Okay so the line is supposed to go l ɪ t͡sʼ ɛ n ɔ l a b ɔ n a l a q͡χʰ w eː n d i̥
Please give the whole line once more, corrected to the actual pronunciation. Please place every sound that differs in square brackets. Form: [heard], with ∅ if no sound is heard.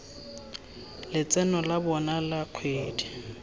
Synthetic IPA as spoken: l ɪ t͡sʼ ɛ n ɔ l a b ɔ n a l a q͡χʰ w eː [∅] d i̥